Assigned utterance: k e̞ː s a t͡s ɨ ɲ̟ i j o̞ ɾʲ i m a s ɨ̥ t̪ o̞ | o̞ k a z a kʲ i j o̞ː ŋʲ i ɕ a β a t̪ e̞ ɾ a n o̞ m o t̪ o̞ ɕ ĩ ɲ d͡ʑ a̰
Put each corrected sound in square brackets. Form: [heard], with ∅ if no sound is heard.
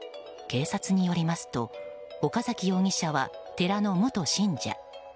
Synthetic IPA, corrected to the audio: k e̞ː s a t͡s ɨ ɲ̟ i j o̞ ɾʲ i m a s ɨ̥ t̪ o̞ | o̞ k a z a kʲ i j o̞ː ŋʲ i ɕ a β a t̪ e̞ ɾ a n o̞ m o t̪ o̞ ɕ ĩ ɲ d͡ʑ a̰